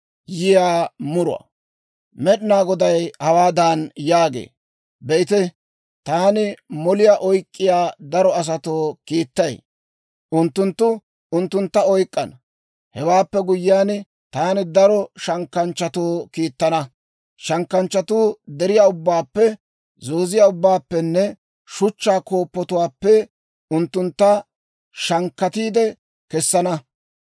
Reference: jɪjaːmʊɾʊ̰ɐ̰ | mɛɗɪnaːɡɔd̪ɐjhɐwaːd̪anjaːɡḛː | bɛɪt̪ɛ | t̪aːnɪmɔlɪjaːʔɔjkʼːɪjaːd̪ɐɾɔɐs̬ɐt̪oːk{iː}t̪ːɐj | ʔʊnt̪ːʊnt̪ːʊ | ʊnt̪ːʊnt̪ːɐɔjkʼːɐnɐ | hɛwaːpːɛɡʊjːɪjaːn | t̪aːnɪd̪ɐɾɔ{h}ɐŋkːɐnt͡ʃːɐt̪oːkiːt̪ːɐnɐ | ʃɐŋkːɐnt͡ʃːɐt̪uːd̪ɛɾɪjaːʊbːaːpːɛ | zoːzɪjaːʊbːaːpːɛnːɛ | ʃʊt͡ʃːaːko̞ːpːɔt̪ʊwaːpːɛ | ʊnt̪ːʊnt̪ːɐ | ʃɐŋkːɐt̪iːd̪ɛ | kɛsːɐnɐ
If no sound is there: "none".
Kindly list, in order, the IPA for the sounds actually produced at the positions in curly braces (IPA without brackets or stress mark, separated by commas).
iː, ʃ